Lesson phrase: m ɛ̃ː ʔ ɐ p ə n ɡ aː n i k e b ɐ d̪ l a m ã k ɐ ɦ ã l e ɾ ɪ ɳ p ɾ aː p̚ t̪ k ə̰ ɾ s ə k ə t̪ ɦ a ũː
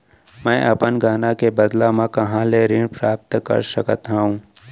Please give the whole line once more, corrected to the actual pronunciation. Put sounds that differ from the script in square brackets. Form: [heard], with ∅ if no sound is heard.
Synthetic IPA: m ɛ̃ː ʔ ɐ p ə n ɡ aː n [a] k e b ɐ d̪ l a m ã k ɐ ɦ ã l e ɾ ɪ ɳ p ɾ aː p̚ t̪ k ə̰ ɾ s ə k ə t̪ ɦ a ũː